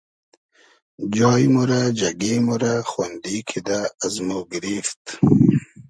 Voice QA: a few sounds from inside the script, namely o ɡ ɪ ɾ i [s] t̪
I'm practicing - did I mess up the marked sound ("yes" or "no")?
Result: yes